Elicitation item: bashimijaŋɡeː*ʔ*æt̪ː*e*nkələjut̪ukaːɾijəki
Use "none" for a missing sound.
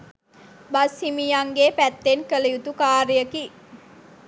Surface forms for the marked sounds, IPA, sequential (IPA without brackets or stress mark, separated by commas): p, e